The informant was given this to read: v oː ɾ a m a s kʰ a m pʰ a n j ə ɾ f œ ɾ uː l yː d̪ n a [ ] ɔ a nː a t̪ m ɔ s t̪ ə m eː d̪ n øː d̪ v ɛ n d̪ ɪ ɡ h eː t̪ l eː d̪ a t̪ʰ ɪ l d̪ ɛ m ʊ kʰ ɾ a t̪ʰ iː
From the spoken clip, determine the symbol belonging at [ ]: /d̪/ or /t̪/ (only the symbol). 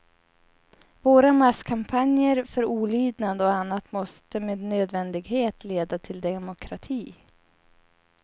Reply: d̪